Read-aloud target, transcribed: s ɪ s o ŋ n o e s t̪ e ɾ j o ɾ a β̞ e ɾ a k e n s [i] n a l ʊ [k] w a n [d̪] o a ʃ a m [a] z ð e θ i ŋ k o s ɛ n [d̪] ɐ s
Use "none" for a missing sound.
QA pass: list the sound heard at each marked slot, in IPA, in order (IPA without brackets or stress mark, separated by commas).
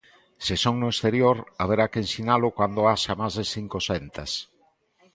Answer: i, k, d̪, a, t̪